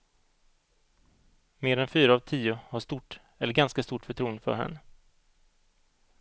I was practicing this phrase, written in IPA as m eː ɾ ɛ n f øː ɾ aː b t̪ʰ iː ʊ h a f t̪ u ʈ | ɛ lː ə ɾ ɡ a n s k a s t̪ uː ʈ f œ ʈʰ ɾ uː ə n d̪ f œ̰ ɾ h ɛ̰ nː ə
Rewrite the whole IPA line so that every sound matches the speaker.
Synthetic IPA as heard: m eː ɾ ɛ n f yː ɾ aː v t̪ʰ iː ʊ h a ʂ t̪ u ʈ | ɛ lː ə ɾ ɡ a n s k a s t̪ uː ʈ f œ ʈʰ ɾ uː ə n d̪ f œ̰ ɾ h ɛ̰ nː ə